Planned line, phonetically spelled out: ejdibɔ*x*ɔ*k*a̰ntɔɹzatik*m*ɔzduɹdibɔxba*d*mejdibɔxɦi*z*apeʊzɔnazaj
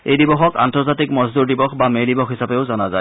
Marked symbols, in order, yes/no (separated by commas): yes, yes, yes, no, no